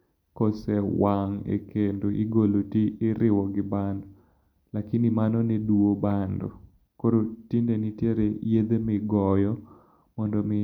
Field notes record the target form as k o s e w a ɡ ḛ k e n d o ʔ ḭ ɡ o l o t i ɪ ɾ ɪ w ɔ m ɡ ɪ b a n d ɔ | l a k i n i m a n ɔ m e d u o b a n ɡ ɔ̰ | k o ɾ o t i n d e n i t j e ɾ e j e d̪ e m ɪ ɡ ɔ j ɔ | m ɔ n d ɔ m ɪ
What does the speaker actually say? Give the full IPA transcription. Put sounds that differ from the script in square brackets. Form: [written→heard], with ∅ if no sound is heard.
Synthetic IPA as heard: k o s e w a [ɡ→ŋ] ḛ k e n d o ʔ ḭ ɡ o l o t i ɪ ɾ ɪ w ɔ [m→∅] ɡ ɪ b a n d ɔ | l a k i n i m a n ɔ [m→n] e d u o b a n [ɡ→d] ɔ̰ | k o ɾ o t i n d e n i t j e ɾ e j e d̪ e m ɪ ɡ ɔ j ɔ | m ɔ n d ɔ m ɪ